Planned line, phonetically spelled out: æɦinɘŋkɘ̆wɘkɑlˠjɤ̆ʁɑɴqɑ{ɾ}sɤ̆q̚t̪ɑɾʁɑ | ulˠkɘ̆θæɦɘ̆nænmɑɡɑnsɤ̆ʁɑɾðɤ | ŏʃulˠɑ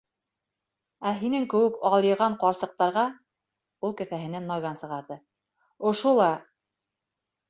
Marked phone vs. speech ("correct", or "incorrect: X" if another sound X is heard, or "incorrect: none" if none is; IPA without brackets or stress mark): correct